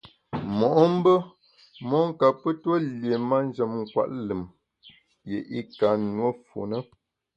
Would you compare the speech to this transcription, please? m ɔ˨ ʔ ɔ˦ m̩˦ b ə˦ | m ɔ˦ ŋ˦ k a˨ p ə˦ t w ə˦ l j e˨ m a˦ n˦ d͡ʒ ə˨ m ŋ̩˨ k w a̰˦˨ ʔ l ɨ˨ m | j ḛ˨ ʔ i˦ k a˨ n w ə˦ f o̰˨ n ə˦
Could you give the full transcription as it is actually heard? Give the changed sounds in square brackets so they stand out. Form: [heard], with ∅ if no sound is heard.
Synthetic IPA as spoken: m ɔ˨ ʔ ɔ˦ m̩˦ b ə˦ | m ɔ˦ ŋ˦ k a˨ p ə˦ t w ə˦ l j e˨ m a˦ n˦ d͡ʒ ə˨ m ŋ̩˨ k w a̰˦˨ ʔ l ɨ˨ m | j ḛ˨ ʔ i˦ k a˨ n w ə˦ f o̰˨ n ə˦